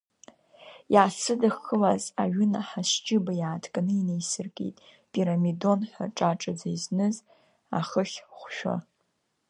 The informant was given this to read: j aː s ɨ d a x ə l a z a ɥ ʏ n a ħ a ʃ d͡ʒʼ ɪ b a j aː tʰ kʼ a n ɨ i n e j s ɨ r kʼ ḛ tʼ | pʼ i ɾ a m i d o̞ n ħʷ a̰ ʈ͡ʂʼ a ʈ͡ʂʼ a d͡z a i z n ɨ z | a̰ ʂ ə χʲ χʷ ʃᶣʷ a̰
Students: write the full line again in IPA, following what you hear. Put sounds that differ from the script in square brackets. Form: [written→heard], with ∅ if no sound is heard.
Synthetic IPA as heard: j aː s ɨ d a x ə l a z a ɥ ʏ n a ħ a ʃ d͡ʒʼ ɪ b a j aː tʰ kʼ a n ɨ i n e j s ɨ r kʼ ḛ tʼ | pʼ i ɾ a m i d o̞ n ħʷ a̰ ʈ͡ʂʼ a ʈ͡ʂʼ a d͡z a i z n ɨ z | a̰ [ʂ→χ] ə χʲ χʷ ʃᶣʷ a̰